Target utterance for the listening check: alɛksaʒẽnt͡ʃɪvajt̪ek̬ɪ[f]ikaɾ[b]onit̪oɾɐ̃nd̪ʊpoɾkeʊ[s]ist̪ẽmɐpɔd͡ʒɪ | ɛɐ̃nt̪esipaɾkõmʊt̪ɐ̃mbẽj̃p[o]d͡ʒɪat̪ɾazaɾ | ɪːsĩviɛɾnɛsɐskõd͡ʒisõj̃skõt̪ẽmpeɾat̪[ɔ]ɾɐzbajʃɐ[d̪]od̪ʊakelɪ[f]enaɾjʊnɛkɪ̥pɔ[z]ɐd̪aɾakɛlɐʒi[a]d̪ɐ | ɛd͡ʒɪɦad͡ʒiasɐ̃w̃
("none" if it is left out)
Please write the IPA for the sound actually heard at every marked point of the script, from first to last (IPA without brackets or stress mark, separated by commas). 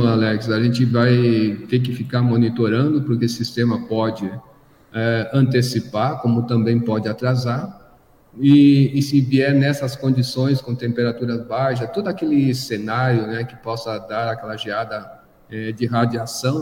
f, m, s, ɔ, u, t̪, s, s, a